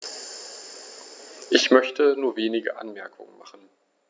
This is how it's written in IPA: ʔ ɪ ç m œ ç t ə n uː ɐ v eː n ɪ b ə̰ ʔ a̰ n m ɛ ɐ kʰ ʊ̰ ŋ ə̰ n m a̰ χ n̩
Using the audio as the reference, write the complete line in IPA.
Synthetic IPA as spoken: ʔ ɪ ç m œ ç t ə n uː ɐ v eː n ɪ ɡ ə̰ ʔ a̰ n m ɛ ɐ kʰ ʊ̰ ŋ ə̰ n m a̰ χ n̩